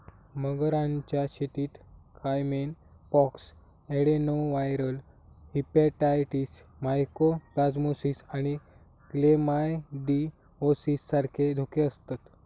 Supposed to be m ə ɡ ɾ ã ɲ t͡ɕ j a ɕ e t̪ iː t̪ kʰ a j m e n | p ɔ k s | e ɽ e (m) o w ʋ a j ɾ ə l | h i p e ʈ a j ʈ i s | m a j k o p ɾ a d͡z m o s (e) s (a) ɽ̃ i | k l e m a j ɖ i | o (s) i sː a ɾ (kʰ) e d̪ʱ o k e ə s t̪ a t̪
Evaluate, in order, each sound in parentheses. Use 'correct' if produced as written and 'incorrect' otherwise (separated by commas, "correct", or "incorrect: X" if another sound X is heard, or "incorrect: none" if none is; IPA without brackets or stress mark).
incorrect: n, incorrect: i, correct, correct, correct